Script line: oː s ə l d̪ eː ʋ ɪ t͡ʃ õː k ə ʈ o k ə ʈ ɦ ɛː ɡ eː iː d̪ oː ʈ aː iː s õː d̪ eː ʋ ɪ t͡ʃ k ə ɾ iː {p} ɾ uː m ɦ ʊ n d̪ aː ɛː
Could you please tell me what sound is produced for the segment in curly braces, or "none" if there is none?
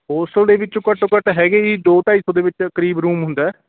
b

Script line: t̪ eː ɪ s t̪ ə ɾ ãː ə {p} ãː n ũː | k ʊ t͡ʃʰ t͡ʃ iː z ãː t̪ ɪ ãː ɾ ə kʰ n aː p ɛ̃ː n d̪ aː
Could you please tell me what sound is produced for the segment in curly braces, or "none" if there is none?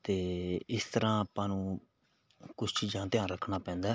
p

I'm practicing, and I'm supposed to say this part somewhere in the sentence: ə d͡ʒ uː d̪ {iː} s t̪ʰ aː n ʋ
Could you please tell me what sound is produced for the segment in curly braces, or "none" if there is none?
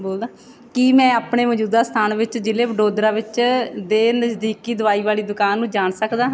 aː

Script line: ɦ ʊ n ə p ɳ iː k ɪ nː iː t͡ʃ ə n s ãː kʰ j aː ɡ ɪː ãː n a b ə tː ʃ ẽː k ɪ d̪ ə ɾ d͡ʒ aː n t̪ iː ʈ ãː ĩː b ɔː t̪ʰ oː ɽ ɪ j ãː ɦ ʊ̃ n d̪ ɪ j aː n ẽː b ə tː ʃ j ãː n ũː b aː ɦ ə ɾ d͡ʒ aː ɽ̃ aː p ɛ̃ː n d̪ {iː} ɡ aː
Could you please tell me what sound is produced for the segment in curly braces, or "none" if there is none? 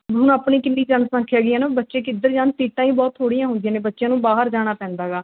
aː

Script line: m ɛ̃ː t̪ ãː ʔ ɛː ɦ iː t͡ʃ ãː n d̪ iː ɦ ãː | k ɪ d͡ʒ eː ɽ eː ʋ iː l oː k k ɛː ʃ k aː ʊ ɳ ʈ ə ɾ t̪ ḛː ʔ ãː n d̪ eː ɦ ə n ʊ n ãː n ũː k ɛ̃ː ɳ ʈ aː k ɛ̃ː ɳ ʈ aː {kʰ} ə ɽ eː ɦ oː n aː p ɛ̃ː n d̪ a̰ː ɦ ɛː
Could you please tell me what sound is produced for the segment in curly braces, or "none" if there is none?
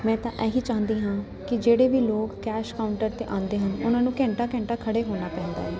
kʰ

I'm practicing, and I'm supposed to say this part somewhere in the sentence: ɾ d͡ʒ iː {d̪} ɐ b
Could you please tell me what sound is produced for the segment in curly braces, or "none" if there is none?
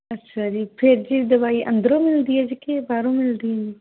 d̪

